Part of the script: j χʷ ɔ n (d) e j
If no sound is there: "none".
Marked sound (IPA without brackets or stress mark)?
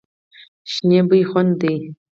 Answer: d